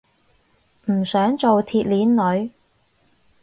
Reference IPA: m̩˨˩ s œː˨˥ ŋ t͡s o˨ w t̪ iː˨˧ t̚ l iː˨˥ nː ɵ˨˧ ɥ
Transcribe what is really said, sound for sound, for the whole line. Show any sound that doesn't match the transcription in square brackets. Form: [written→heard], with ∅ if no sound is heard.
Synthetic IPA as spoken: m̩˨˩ s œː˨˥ ŋ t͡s o˨ w [t̪→t̪ʰ] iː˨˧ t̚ l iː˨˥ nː ɵ˨˧ ɥ